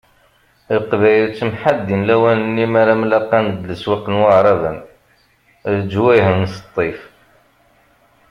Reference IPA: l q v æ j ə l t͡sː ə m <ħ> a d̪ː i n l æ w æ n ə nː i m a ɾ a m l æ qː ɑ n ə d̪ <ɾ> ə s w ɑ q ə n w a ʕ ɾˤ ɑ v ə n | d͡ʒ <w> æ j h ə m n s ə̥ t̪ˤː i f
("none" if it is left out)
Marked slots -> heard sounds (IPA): ħ, l, w

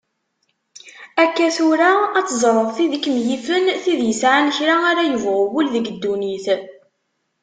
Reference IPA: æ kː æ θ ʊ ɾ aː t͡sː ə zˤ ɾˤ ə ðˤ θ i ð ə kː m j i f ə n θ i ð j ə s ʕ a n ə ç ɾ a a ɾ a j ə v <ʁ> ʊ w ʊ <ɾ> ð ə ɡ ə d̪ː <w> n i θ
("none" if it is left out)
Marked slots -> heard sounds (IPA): ʁ, l, u

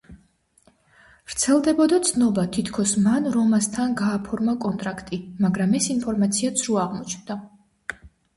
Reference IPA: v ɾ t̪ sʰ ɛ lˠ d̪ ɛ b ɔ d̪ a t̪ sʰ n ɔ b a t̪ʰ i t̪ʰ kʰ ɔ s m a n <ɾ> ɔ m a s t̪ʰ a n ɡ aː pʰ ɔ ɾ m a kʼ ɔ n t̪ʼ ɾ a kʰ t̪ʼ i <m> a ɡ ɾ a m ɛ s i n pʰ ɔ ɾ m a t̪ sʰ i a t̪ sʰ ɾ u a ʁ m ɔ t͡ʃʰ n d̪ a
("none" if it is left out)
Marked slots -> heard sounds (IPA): ɾ, m

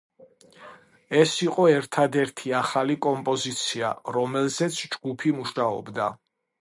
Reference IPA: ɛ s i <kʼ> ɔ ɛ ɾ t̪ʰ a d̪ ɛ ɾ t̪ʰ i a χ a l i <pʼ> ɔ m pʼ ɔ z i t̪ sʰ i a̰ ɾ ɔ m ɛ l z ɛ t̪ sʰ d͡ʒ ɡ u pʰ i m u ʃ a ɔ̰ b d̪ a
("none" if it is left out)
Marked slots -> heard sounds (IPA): qʼ, kʼ

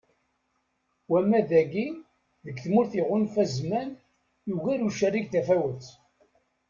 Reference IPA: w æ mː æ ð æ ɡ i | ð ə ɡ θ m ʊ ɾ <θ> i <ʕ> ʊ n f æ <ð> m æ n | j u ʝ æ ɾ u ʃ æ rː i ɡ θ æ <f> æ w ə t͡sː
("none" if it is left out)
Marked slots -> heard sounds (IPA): θ, ʁ, z, f

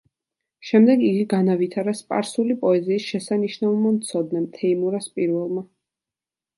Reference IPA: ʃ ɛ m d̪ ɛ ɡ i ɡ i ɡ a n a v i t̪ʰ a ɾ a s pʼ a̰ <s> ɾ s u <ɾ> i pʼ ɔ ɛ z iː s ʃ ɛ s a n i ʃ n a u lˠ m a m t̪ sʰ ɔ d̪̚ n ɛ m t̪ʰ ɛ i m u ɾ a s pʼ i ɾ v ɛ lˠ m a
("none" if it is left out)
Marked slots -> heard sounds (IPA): none, l

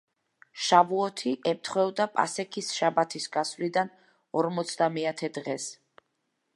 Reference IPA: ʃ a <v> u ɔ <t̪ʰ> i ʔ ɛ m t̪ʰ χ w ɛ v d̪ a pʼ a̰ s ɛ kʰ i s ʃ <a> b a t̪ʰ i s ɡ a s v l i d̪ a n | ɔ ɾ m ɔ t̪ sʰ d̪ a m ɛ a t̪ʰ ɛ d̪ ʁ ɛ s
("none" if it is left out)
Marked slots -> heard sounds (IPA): v, t̪ʰ, a

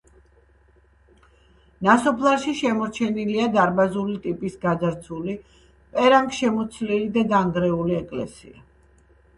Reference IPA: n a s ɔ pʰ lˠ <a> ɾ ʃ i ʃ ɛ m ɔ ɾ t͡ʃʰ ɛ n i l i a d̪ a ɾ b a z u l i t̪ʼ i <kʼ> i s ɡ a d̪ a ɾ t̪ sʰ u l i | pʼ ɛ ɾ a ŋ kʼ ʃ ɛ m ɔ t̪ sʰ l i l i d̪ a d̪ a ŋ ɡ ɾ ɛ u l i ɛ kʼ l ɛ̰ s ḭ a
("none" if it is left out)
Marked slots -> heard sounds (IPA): a, pʼ

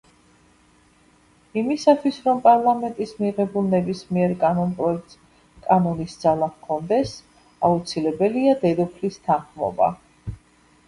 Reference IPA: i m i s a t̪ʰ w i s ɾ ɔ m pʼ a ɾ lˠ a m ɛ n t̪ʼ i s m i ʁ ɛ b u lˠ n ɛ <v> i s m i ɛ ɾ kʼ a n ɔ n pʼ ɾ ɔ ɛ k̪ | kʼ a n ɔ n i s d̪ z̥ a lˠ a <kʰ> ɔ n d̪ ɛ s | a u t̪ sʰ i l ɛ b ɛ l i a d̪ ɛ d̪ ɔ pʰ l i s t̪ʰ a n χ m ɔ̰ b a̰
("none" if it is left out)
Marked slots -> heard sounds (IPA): b, kʰ

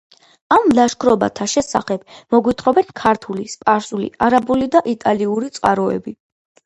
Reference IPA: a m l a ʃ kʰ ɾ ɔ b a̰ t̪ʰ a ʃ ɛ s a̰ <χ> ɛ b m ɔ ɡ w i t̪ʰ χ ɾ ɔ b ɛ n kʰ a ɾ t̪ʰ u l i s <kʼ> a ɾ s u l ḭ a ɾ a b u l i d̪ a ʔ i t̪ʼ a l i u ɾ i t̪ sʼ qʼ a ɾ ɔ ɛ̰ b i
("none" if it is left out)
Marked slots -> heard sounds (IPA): χ, pʼ

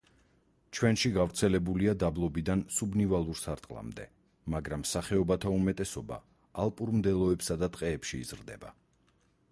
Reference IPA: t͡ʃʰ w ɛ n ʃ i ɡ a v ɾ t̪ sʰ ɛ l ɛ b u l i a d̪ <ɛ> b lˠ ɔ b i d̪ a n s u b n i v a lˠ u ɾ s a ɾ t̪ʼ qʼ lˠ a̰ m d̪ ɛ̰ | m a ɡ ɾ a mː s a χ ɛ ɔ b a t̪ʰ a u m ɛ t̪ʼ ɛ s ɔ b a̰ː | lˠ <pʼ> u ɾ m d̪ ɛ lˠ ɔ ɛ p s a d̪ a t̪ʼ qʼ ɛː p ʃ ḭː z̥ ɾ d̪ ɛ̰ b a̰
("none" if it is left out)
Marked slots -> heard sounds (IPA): a, pʼ

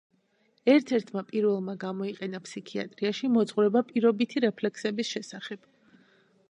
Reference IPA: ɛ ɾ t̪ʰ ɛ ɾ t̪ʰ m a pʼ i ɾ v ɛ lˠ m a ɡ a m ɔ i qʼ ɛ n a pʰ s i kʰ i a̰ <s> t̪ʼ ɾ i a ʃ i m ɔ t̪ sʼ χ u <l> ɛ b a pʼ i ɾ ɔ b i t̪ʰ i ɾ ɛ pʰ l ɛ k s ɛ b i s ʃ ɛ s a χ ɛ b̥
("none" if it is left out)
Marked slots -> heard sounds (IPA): none, ɾ

